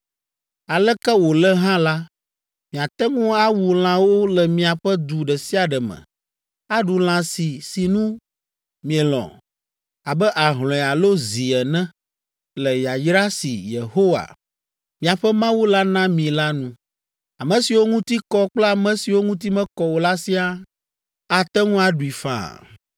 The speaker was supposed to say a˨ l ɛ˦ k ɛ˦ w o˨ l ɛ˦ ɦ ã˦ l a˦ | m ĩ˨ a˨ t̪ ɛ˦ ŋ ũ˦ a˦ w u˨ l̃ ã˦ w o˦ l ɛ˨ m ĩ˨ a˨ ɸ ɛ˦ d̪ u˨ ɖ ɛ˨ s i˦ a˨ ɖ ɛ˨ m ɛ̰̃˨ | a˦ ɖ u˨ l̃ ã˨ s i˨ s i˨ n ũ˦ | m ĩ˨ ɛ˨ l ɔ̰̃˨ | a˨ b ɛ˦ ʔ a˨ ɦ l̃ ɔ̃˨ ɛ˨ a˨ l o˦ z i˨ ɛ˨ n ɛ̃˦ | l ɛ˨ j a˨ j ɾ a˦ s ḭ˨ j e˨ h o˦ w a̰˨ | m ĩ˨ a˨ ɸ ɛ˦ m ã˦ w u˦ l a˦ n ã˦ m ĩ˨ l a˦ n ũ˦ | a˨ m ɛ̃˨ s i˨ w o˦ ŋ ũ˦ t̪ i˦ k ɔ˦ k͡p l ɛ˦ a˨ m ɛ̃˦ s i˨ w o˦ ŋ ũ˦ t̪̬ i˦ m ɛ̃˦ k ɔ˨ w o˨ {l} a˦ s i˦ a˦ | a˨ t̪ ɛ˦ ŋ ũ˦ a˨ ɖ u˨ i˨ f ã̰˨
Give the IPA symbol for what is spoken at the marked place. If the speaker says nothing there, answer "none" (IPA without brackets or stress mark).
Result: l